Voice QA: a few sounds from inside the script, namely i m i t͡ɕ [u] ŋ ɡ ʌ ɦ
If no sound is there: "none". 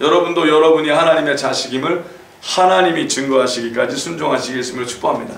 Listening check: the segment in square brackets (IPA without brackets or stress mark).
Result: ɯ